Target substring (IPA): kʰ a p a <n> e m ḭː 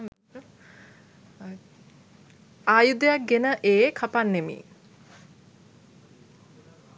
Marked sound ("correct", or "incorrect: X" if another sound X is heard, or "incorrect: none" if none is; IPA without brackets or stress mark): incorrect: nː